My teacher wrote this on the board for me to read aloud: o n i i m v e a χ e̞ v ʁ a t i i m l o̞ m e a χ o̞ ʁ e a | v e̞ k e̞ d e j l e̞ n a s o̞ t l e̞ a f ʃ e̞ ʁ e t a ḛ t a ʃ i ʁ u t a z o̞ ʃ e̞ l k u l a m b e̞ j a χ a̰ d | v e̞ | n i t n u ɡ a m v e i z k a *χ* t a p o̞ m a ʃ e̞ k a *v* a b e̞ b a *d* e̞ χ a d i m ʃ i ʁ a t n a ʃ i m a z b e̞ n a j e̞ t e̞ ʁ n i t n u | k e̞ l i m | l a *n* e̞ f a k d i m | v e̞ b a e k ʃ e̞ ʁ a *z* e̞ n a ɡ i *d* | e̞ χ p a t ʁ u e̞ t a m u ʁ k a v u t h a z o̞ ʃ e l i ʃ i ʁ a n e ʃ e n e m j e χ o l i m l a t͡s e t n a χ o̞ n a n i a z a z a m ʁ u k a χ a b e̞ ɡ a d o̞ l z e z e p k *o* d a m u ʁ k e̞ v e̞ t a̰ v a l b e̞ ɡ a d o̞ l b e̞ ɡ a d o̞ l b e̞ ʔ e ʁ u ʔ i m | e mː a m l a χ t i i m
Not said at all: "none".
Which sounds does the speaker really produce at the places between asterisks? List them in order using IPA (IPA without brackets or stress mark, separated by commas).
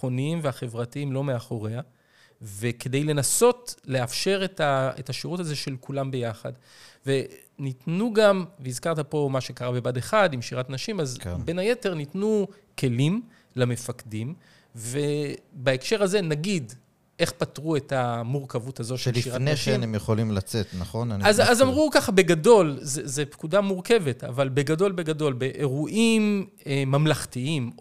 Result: ʁ, ʁ, d, m, z, d, u